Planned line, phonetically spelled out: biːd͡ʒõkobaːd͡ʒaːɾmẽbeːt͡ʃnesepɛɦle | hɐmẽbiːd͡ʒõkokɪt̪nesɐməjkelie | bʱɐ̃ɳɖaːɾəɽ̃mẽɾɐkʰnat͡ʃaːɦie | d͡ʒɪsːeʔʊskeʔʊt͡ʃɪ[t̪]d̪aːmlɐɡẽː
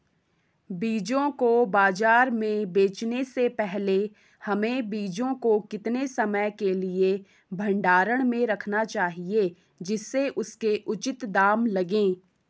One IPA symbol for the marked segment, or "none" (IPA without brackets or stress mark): t̪